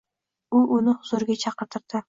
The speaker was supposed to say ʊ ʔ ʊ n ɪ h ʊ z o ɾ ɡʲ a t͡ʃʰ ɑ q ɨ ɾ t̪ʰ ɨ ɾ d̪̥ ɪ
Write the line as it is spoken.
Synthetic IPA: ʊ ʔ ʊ n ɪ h ʊ z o ɾ ɡʲ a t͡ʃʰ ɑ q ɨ ɾ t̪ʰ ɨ ɾ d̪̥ ɪ

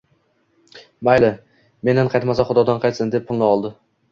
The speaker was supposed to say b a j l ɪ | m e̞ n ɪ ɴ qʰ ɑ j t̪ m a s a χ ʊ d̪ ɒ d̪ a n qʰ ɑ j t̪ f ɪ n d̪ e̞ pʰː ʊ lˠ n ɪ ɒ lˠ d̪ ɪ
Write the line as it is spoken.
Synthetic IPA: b a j l ɪ | m e̞ n ɪ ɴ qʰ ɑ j t̪ m a s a χ ʊ d̪ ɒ d̪ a n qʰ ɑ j t̪ s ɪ n d̪ e̞ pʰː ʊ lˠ n ɪ ɒ lˠ d̪ ɪ

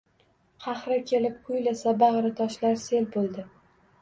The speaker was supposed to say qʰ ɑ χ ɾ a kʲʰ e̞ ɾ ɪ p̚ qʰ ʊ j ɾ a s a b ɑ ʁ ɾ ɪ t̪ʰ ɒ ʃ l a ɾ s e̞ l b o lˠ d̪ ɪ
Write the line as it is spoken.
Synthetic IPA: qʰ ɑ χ ɾ a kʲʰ e̞ l ɪ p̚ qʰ ʊ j l a s a b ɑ ʁ ɾ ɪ t̪ʰ ɒ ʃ l a ɾ s e̞ l b o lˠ d̪ ɪ

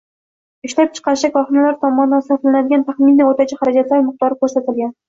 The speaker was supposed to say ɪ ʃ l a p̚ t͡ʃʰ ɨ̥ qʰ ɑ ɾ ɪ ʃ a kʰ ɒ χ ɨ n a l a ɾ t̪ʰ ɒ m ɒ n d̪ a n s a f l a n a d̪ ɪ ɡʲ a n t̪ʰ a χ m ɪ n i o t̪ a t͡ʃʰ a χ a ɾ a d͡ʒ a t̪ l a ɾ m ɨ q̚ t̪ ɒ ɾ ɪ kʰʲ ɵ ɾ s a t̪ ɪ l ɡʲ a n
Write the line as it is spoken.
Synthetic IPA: ɪ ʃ l a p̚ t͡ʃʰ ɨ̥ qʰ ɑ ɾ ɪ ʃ a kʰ ɒ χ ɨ n a l a ɾ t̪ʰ ɒ m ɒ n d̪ a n s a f l a n a d̪ ɪ ɡʲ a n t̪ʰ a χ m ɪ n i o t̪ a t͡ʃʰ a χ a ɾ a d͡ʒ a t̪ l a ɾ m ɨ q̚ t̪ ɒ ɾ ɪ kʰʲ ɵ ɾ s a t̪ ɪ l ɡʲ a n

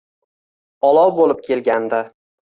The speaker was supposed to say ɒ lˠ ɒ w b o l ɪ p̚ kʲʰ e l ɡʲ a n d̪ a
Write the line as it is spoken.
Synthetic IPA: ɒ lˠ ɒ w b o l ɪ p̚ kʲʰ e l ɡʲ a n d̪ a

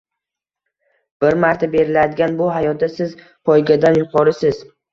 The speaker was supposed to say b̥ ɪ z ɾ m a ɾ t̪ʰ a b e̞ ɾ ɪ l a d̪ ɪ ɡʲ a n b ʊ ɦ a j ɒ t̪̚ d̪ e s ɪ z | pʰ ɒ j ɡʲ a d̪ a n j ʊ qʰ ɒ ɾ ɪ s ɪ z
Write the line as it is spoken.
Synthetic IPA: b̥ ɪ ɾ m a ɾ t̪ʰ a b e̞ ɾ ɪ l a d̪ ɪ ɡʲ a n b ʊ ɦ a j ɒ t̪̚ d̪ a s ɪ z | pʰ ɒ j ɡʲ a d̪ a n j ʊ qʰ ɒ ɾ ɪ s ɪ z

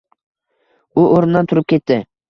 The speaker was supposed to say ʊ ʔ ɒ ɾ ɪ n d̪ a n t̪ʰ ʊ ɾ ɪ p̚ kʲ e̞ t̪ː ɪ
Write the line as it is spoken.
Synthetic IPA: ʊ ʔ o ɾ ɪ n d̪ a n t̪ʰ ʊ ɾ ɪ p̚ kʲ e̞ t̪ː ɪ

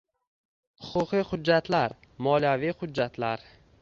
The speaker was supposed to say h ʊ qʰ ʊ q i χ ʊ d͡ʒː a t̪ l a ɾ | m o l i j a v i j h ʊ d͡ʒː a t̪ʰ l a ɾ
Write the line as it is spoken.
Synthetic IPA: h ʊ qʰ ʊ q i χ ʊ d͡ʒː a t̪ l a ɾ | m ɒ l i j a v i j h ʊ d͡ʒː a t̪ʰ l a ɾ

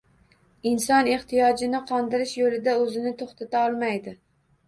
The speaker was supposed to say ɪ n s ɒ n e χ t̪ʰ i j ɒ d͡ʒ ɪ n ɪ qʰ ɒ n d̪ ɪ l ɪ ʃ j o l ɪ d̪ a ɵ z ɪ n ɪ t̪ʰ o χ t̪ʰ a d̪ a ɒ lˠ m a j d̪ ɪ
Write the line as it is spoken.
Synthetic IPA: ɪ n s ɒ n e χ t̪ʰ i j ɒ d͡ʒ ɪ n ɪ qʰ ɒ n d̪ ɪ ɾ ɪ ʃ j o l ɪ d̪ a ɵ z ɪ n ɪ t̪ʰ o χ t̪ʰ a t̪ a ɒ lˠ m a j d̪ ɪ

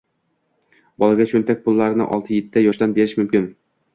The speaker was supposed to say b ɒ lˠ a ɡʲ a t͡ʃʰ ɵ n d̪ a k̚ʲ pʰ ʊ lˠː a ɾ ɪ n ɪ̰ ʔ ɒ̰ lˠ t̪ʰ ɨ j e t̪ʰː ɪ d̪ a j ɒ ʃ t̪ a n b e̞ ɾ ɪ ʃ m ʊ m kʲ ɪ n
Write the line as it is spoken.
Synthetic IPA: b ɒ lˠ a ɡʲ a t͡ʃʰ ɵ n t̪ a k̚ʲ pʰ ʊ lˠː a ɾ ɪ n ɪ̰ ʔ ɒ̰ lˠ t̪ʰ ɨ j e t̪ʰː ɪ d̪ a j ɒ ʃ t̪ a n b e̞ ɾ ɪ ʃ m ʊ m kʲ ɪ n

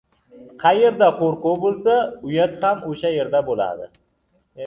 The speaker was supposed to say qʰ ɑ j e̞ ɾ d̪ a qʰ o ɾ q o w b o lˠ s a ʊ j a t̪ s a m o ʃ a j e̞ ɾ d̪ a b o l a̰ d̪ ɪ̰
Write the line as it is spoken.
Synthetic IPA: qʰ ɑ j e̞ ɾ d̪ a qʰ o ɾ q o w b o lˠ s a ʊ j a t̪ h a m o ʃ a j e̞ ɾ d̪ a b o l a̰ d̪ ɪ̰

